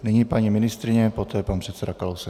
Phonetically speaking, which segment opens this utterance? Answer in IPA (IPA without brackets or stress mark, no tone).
n